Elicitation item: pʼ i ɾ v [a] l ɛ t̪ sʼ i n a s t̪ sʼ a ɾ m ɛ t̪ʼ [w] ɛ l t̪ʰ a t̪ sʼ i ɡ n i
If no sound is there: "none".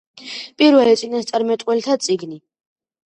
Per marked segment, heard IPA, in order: ɛ, w

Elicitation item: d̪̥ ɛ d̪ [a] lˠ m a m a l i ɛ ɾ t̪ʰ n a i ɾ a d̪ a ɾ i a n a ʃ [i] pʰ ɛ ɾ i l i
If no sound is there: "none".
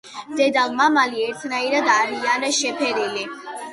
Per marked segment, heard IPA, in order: a, ɛ

